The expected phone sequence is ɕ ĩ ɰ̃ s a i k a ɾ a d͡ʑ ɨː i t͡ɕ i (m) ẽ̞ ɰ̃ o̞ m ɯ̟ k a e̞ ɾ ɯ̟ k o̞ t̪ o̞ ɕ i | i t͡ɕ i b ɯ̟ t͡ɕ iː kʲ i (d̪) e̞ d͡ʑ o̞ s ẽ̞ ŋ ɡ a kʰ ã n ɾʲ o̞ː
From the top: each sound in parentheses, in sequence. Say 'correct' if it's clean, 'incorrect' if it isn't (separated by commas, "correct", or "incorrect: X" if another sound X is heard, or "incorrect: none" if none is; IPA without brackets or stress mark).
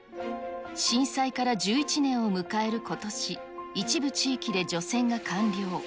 incorrect: n, correct